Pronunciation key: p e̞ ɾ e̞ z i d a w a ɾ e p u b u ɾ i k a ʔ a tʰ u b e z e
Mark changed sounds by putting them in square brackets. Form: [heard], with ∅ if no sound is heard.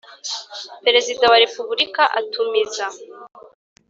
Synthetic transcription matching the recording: p e̞ ɾ e̞ z i d a w a ɾ e p u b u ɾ i k a ʔ a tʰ u [m] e z [a]